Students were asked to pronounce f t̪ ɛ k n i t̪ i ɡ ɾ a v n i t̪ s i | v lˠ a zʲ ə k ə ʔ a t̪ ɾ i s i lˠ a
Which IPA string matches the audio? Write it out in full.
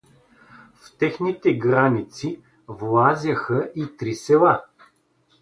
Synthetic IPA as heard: f t̪ ɛ x n i t̪ ɛ ɡ ɾ a n i t̪ s i | v lˠ a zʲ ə x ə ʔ i t̪ ɾ i s ɛ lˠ a